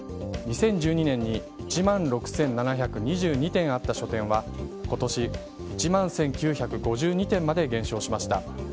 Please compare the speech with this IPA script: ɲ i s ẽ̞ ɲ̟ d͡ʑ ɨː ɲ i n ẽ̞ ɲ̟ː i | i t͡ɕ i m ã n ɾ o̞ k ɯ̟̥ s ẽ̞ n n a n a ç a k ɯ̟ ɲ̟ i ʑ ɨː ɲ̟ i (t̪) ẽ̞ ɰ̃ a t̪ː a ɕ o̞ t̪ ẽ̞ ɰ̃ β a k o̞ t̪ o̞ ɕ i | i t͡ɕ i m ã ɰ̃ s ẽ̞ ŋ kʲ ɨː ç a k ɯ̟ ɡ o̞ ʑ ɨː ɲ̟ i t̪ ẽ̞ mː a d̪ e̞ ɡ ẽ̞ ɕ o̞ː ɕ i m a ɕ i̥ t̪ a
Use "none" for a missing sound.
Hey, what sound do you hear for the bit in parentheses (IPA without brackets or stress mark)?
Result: t̪